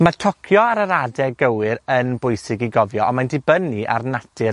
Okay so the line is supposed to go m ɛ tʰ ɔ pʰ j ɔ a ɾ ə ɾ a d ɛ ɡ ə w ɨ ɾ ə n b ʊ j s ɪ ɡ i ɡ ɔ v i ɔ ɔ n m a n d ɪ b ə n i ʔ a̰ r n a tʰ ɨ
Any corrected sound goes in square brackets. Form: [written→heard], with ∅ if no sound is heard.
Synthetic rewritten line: m [ɛ→a] tʰ ɔ [pʰ→kʰ] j ɔ a ɾ ə ɾ a d ɛ ɡ ə w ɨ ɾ ə n b ʊ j s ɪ ɡ i ɡ ɔ v [i→j] ɔ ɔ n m a n d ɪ b ə n i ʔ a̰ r n a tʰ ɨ